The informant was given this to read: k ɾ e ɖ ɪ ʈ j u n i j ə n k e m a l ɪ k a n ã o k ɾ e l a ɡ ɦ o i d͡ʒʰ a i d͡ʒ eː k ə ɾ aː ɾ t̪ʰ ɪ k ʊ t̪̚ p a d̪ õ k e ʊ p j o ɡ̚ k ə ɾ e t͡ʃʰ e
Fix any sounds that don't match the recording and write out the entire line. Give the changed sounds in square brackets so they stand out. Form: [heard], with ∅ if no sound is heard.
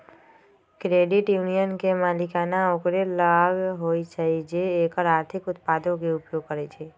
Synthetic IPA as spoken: k ɾ e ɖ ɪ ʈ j u n i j ə n k e m a l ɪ k a n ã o k ɾ e l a ɡ ɦ o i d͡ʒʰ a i d͡ʒ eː k ə ɾ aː ɾ t̪ʰ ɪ k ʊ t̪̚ p a d̪ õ k e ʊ p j o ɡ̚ k ə ɾ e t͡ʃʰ e